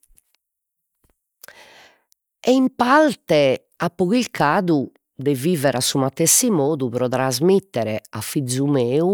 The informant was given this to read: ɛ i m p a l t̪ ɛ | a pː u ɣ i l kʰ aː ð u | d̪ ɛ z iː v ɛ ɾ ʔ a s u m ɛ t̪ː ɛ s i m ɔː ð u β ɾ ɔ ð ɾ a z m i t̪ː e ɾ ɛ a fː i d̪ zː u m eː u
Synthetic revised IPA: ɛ i m p a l t̪ ɛ | a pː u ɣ i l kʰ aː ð u | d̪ ɛ v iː v ɛ ɾ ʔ a s u m a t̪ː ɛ s i m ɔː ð u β ɾ ɔ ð ɾ a z m i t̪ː ɛ ɾ ɛ a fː i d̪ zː u m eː u